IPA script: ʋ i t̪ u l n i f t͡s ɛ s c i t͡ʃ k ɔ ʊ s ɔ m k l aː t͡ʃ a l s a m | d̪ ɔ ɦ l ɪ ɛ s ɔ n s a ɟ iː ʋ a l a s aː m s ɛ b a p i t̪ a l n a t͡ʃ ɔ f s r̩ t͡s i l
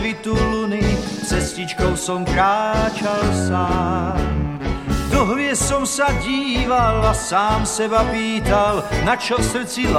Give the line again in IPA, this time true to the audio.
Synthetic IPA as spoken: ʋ i t̪ u l n i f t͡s ɛ s c i t͡ʃ k ɔ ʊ s ɔ m k ɾ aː t͡ʃ a l s a m | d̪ ɔ ɦ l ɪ ɛ s ɔ m s a ɟ iː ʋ a l a s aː m s ɛ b a p iː t̪ a l n a t͡ʃ ɔ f s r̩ t͡s i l